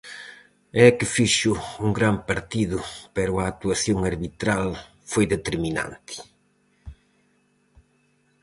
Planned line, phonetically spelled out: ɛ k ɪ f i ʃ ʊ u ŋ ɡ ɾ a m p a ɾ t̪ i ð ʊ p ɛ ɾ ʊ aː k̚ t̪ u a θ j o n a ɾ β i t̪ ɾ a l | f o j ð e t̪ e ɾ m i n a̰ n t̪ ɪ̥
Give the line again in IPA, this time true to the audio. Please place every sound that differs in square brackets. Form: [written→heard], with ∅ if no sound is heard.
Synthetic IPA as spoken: ɛ k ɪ f i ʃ ʊ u ŋ ɡ ɾ a m p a ɾ t̪ i ð ʊ p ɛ ɾ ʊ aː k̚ t̪ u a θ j o [n→ŋ] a ɾ β i t̪ ɾ a l | f o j ð e t̪ e ɾ m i n a̰ n t̪ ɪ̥